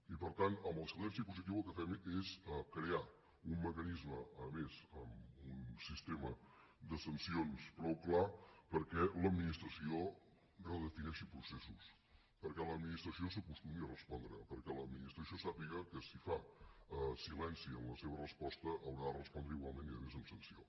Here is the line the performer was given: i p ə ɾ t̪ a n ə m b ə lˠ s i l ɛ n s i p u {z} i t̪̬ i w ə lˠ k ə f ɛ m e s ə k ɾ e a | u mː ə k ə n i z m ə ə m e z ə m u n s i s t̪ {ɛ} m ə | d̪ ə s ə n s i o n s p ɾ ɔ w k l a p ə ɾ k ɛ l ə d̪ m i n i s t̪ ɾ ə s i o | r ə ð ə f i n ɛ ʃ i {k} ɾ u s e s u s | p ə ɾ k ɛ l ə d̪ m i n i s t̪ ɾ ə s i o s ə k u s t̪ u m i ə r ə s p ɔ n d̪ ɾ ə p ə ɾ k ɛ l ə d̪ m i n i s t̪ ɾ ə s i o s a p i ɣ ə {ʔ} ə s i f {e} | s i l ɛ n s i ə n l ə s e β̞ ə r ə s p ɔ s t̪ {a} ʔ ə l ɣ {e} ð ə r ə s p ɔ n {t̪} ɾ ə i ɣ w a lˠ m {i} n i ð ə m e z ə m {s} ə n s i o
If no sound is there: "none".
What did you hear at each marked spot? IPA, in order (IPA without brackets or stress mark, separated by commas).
z, e, p, k, a, ə, a, d̪, e, s